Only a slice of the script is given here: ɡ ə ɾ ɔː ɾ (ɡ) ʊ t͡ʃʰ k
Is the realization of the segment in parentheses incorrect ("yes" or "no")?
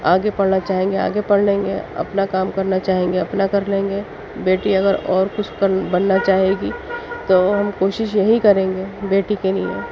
yes